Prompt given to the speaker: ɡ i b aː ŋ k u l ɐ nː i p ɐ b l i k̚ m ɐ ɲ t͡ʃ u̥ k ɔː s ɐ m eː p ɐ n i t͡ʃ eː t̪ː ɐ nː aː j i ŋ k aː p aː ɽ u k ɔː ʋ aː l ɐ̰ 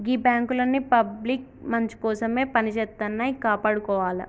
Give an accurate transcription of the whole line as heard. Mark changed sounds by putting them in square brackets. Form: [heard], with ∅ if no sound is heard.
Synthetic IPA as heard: ɡ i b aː ŋ k u l ɐ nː i p ɐ b l i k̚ m ɐ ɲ t͡ʃ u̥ k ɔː s ɐ m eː p ɐ n i t͡ʃ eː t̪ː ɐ nː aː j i [∅] k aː p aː ɽ u k ɔː ʋ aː l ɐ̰